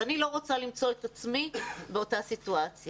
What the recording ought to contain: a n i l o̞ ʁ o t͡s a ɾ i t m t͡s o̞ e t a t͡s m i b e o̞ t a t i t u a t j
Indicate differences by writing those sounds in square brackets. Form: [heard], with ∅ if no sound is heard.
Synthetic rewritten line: a n i l o̞ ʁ o t͡s a [l] i [∅] m t͡s o̞ e t a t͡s m i b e o̞ t a [s] i t u a [t͡s] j